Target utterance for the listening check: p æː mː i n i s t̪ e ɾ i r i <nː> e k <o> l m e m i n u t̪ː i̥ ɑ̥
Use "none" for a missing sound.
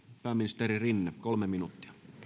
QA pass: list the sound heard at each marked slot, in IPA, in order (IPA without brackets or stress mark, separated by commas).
nː, o